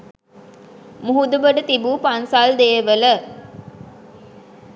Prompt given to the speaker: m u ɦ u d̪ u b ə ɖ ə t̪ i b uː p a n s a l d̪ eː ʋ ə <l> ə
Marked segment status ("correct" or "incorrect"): correct